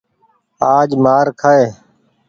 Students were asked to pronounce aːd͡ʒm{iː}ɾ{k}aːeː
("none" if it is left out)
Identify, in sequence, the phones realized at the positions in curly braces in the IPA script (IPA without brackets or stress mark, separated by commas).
aː, kʰ